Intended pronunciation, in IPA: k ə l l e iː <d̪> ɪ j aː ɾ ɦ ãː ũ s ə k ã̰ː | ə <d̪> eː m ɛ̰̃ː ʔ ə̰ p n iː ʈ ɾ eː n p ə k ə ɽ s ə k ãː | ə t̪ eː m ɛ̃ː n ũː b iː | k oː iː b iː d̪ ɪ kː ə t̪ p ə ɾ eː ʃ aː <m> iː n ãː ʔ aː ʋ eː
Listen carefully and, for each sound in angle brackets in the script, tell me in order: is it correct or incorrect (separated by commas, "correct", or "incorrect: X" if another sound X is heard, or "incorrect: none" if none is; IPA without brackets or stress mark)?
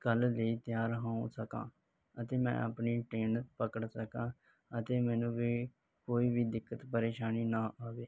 incorrect: t̪, incorrect: t̪, incorrect: n